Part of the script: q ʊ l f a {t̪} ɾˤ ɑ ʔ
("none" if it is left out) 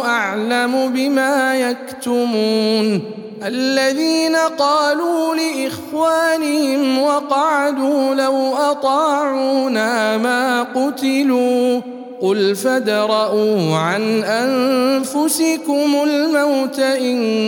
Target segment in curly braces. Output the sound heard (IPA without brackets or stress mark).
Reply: d̪